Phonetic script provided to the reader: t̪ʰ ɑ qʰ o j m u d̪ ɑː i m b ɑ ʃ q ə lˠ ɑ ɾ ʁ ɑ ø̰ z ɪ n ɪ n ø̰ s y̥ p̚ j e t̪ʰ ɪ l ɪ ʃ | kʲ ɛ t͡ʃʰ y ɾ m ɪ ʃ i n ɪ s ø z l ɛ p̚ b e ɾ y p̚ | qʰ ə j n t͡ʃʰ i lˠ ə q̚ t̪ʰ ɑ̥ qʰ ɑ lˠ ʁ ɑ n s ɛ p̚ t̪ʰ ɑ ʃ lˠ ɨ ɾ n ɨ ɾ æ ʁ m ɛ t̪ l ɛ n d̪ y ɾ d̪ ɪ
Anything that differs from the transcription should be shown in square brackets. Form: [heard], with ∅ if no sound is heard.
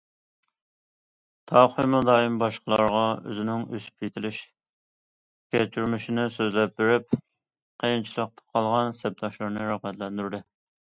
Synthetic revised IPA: t̪ʰ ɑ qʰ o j m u d̪ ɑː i m b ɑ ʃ q ə lˠ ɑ ɾ ʁ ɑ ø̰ z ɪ n ɪ [ŋ] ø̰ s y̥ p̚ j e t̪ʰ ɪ l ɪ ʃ | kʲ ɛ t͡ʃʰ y ɾ m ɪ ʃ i n ɪ s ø z l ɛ p̚ b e ɾ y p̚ | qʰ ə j n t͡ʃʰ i lˠ ə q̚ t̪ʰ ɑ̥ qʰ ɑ lˠ ʁ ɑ n s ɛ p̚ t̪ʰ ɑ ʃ lˠ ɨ ɾ n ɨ ɾ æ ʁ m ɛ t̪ l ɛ n d̪ y ɾ d̪ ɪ